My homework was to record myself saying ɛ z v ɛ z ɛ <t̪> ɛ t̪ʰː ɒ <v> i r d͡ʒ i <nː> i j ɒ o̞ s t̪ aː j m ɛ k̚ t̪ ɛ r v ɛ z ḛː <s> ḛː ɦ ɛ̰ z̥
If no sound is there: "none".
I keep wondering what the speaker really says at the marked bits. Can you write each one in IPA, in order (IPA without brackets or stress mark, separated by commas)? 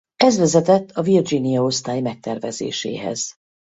t̪, v, n, ʃ